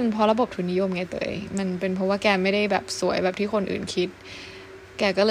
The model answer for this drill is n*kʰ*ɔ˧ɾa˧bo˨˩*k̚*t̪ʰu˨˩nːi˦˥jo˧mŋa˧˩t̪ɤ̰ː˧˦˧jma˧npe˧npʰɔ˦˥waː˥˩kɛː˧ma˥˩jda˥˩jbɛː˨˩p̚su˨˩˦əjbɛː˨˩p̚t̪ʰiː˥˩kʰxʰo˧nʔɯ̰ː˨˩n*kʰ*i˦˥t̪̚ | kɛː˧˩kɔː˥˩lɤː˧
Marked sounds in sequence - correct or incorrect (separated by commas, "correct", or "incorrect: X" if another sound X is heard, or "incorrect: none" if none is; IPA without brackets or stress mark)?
incorrect: pʰ, incorrect: p̚, correct